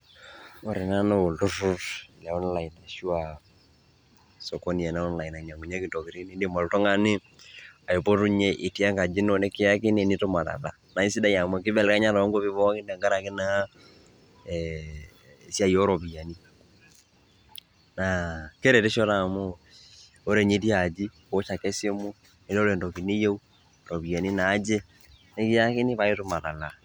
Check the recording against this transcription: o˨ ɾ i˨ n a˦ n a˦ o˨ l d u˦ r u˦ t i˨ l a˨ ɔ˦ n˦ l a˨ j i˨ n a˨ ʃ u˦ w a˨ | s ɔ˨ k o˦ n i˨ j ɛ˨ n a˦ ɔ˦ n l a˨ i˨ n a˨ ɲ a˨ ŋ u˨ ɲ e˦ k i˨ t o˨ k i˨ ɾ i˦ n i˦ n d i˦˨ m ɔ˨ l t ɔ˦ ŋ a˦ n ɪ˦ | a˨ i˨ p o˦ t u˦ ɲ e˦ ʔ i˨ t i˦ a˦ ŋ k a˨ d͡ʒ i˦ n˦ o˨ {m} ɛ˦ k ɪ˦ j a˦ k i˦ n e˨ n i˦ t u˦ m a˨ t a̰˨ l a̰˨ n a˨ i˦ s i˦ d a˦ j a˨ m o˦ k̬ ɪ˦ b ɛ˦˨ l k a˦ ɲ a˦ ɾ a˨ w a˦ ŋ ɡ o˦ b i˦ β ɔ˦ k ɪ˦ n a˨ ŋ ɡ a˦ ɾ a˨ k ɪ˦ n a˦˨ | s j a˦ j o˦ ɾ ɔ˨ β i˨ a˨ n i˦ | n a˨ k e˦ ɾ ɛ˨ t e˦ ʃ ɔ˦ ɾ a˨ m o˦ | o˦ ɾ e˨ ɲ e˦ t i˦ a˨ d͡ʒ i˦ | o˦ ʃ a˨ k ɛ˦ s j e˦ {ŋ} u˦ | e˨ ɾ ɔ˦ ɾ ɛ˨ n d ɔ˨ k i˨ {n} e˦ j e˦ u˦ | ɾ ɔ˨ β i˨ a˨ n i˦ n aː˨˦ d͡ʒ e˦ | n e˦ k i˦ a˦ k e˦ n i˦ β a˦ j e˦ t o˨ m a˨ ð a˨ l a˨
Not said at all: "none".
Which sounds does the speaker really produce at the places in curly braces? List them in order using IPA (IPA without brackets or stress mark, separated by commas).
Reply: n, m, n